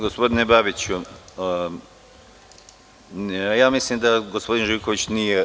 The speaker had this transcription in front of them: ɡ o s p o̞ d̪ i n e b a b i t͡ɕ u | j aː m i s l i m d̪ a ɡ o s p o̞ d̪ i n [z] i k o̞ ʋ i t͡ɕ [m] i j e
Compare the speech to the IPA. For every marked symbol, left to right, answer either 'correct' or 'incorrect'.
incorrect: ʒ, incorrect: n

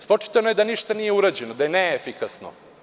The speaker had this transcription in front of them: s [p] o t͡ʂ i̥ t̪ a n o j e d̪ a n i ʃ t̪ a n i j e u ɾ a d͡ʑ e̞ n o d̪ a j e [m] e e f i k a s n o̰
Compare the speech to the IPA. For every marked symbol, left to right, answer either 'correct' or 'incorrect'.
correct, incorrect: n

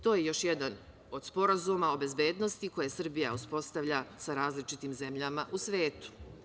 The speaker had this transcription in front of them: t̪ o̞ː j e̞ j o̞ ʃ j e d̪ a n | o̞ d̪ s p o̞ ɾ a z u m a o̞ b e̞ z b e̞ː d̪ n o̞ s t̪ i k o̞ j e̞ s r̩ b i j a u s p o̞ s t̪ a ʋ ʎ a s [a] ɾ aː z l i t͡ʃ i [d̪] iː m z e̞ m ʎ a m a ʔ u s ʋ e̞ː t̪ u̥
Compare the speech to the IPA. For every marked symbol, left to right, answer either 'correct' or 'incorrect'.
correct, incorrect: t̪

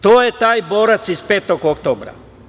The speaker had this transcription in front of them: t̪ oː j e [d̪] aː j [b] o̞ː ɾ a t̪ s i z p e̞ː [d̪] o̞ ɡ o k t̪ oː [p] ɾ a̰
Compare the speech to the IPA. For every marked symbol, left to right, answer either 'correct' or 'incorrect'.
incorrect: t̪, correct, incorrect: t̪, incorrect: b

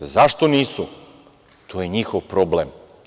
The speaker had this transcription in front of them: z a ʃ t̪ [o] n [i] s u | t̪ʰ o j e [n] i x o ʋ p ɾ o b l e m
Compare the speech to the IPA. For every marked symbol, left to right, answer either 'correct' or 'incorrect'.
correct, incorrect: iː, incorrect: ɲ

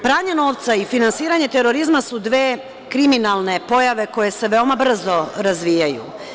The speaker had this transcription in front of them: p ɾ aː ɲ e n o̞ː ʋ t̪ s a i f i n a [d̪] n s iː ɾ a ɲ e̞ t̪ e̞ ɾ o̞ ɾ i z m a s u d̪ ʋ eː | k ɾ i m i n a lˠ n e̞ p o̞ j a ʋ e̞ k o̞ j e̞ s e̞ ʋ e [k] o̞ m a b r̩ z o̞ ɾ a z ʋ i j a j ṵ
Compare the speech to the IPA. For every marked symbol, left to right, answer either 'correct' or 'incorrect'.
incorrect: none, incorrect: none

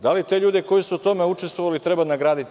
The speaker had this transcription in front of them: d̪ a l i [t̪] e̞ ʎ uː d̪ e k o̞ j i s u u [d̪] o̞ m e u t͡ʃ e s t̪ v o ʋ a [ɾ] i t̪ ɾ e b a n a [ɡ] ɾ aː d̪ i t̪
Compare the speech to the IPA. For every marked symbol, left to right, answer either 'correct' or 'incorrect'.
correct, incorrect: t̪, incorrect: l, correct

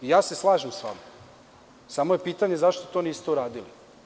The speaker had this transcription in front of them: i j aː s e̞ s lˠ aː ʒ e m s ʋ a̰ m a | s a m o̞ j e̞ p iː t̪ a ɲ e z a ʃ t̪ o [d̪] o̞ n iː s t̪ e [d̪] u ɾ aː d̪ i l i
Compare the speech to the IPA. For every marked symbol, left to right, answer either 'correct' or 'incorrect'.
incorrect: t̪, incorrect: none

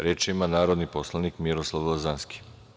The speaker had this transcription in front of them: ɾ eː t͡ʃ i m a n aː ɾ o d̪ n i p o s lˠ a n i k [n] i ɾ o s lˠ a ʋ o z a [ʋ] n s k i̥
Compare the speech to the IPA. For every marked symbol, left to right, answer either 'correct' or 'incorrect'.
incorrect: m, incorrect: none

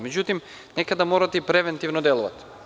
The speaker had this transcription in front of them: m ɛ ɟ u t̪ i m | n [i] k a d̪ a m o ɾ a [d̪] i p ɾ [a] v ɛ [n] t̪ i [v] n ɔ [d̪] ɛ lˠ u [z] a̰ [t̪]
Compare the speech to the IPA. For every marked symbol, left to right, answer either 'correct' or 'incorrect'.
incorrect: ɛ, incorrect: t̪, incorrect: ɛ, correct, correct, correct, incorrect: v, correct

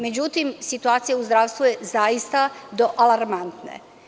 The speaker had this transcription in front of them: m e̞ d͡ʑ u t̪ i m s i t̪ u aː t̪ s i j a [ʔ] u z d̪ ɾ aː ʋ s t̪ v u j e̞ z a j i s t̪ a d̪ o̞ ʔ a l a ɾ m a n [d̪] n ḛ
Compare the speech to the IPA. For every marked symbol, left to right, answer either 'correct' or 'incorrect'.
incorrect: none, incorrect: t̪

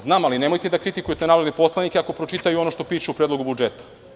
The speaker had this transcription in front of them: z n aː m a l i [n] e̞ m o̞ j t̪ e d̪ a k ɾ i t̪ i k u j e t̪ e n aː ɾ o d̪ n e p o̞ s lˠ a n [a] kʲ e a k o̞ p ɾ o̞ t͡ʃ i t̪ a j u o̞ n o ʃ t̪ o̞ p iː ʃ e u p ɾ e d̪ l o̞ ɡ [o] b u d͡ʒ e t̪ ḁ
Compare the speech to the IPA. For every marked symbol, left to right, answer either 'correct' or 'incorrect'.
correct, incorrect: i, incorrect: u

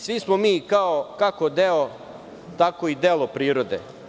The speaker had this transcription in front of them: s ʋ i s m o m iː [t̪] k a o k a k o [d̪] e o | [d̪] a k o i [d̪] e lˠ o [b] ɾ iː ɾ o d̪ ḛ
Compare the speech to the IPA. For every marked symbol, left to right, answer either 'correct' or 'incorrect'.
incorrect: none, correct, incorrect: t̪, correct, incorrect: p

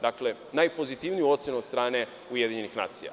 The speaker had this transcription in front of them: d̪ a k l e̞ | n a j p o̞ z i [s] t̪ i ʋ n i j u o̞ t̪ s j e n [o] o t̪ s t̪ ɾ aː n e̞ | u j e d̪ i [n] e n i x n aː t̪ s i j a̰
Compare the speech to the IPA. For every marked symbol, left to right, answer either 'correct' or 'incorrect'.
incorrect: none, incorrect: u, incorrect: ɲ

